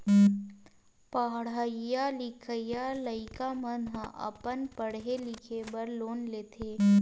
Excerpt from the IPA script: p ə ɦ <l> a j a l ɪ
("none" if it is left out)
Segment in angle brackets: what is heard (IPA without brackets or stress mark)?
ɽ